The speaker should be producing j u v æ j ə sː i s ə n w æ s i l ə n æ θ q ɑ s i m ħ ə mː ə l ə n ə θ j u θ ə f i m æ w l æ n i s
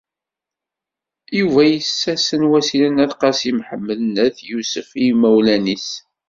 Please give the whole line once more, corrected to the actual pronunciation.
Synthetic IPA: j u v æ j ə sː æ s ə n w æ s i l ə n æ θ q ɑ s i m ħ ə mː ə l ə n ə θ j u s ə f i m æ w l æ n i s